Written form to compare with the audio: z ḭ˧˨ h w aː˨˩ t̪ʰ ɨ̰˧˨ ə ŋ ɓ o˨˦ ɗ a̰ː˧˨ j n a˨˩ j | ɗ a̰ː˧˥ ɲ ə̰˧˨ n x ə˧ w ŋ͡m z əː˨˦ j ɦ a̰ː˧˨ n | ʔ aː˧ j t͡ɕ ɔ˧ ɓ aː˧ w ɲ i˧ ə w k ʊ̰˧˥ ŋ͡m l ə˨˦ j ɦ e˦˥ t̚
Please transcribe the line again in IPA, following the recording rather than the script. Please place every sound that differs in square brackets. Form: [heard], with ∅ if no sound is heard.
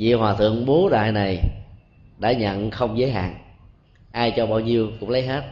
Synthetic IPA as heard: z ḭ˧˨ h w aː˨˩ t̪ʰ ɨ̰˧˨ ə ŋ ɓ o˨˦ ɗ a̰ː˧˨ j n a˨˩ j | ɗ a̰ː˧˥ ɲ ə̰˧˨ n x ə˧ w ŋ͡m z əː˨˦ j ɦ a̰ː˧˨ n | ʔ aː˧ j t͡ɕ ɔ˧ ɓ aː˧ w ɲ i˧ ə w k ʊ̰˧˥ ŋ͡m l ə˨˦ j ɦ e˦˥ t̚